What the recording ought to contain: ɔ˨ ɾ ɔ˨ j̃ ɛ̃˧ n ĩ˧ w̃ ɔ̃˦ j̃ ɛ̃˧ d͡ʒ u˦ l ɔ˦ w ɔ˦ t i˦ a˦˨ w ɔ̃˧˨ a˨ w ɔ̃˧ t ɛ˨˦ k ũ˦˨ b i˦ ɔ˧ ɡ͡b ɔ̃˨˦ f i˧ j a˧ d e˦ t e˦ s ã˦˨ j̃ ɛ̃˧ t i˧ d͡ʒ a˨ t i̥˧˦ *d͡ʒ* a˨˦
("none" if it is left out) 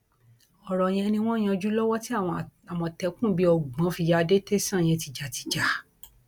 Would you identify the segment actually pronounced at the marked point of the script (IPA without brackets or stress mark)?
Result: d͡ʒ